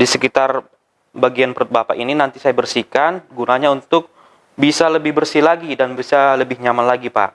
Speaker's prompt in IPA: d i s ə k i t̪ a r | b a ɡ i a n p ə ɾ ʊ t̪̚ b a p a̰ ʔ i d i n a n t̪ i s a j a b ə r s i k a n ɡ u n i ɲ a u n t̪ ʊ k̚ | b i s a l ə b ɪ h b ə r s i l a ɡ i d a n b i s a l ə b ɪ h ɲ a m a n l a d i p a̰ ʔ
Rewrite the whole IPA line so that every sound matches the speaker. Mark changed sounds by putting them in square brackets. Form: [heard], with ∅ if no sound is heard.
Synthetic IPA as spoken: d i s ə k i t̪ a r | b a ɡ i a n p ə ɾ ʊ t̪̚ b a p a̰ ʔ i [n] i n a n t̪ i s a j a b ə r s i k a n ɡ u n [a] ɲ a u n t̪ ʊ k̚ | b i s a l ə b ɪ h b ə r s i l a ɡ i d a n b i s a l ə b ɪ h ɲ a m a n l a [ɡ] i p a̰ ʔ

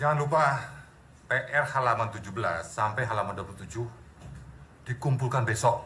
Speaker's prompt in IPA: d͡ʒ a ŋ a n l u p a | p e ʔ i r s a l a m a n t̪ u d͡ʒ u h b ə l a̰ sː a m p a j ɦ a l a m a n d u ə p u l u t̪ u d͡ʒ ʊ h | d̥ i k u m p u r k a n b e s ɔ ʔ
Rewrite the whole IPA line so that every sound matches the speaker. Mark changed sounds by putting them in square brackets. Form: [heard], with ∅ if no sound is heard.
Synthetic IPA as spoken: d͡ʒ a ŋ a n l u p a | p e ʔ [ɛ] r [h] a l a m a n t̪ u d͡ʒ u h b ə l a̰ sː a m p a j ɦ a l a m a n d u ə p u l u t̪ u d͡ʒ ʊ h | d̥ i k u m p u [l] k a n b e s ɔ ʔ

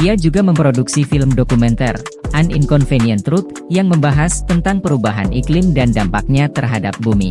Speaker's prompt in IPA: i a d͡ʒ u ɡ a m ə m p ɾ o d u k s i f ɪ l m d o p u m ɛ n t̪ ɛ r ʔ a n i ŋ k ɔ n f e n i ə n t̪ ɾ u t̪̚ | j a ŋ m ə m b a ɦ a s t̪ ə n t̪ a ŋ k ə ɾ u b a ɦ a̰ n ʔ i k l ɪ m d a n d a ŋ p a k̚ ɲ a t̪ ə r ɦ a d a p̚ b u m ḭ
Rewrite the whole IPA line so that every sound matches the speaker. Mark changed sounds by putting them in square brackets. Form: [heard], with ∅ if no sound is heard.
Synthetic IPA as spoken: i a d͡ʒ u ɡ a m ə m p ɾ o d u k s i f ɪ l m d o [k] u m ɛ n t̪ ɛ r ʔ a n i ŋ k ɔ n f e n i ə n t̪ ɾ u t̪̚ | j a ŋ m ə m b a ɦ a s t̪ ə n t̪ a ŋ [p] ə ɾ u b a ɦ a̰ n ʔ i k l ɪ m d a n d a [m] p a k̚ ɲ a t̪ ə r ɦ a d a p̚ b u m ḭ

